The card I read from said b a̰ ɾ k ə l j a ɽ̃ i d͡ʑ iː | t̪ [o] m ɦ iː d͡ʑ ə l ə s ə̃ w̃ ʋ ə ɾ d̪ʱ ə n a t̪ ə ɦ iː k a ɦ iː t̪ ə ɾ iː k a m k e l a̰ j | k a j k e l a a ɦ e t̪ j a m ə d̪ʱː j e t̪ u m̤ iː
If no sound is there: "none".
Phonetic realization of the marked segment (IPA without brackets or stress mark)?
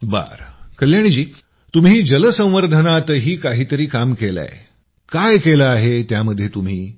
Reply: u